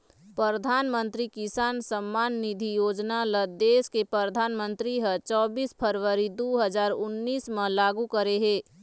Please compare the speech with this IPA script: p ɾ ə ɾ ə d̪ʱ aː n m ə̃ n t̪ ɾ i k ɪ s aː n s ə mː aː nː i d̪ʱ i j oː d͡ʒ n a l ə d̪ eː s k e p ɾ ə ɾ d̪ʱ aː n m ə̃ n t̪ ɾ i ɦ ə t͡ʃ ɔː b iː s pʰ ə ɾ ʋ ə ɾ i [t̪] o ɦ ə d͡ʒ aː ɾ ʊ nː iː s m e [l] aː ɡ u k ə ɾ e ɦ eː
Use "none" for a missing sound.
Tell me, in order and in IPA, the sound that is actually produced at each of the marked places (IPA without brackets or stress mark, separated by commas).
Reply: d̪, l